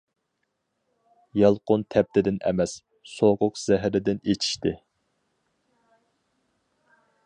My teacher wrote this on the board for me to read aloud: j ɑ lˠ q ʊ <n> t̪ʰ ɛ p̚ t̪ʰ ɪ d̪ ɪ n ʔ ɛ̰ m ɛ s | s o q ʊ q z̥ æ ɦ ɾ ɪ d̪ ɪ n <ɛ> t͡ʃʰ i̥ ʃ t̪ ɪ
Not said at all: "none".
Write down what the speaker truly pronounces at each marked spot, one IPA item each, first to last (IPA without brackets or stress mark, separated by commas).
n, e